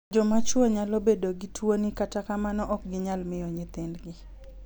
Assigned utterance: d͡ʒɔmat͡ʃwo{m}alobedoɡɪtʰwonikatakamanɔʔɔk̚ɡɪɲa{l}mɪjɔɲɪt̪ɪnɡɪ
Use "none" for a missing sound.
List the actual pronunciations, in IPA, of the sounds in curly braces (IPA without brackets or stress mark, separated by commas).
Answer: ɲ, l